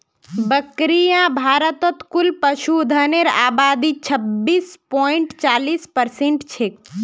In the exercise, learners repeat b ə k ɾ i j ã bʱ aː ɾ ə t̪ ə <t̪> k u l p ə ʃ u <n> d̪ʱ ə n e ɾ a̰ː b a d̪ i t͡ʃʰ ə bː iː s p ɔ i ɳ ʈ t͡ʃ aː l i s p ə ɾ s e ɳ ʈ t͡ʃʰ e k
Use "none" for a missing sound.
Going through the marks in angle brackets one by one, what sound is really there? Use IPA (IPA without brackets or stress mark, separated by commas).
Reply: t̪, none